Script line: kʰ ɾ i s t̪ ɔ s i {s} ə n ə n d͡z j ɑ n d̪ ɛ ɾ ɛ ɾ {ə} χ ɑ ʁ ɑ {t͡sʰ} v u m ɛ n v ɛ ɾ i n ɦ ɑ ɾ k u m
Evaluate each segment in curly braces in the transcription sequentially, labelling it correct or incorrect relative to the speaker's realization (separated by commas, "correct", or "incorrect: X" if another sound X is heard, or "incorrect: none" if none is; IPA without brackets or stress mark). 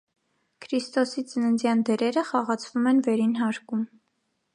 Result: incorrect: t͡s, correct, correct